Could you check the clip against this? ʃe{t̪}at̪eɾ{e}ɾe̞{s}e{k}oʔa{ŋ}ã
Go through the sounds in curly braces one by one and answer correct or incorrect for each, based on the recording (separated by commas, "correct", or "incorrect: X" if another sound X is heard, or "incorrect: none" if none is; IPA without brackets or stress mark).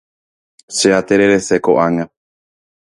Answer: incorrect: none, correct, correct, correct, correct